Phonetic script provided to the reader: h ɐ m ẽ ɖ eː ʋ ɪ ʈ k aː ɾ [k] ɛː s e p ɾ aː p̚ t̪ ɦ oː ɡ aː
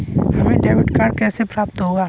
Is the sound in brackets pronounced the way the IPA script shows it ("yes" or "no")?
yes